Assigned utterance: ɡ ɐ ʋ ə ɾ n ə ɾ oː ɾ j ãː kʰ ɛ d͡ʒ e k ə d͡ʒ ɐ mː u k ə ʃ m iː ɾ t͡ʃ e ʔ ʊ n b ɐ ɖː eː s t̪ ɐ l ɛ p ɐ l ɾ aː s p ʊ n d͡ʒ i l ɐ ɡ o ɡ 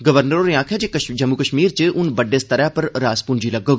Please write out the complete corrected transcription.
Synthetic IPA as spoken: ɡ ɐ ʋ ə ɾ n ə ɾ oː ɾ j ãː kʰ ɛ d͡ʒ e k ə d͡ʒ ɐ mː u k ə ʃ m iː ɾ t͡ʃ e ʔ ʊ n b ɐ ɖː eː s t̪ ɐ ɾ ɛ p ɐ ɾ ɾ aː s p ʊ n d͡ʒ i l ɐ ɡ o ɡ

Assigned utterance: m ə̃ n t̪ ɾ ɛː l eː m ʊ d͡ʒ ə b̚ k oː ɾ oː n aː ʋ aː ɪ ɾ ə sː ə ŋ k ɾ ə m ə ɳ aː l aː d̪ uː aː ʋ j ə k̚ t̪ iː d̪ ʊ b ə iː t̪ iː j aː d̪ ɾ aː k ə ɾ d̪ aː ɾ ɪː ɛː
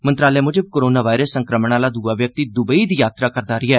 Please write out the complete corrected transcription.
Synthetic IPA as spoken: m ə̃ n t̪ ɾ aː l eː m ʊ d͡ʒ ə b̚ k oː ɾ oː n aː ʋ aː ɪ ɾ ə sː ə ŋ k ɾ ə m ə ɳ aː l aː d̪ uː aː ʋ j ə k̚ t̪ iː d̪ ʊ b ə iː d̪ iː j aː t̪ ɾ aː k ə ɾ d̪ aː ɾ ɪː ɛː

